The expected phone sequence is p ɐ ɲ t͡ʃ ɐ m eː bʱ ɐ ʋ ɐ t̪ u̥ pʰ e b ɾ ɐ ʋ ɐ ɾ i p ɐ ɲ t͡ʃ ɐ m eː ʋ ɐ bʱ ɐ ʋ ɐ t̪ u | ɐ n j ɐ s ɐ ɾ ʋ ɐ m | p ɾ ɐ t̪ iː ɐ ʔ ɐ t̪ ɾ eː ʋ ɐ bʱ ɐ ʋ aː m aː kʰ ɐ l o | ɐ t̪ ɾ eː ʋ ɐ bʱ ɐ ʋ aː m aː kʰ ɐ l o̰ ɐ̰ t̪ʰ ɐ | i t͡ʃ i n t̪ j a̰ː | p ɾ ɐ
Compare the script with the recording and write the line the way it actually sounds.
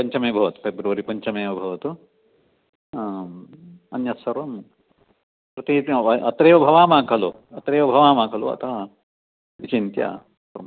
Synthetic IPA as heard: p ɐ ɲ t͡ʃ ɐ m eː bʱ ɐ ʋ ɐ t̪ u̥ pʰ e b ɾ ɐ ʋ ɐ ɾ i p ɐ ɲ t͡ʃ ɐ m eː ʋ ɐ bʱ ɐ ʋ ɐ t̪ u | ɐ n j ɐ s ɐ ɾ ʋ ɐ m | p ɾ ɐ t̪ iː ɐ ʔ ɐ t̪ ɾ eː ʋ ɐ bʱ ɐ ʋ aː m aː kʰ ɐ l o | ɐ t̪ ɾ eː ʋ ɐ bʱ ɐ ʋ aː m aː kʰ ɐ l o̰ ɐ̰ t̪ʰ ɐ | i t͡ʃ i n t̪ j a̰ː | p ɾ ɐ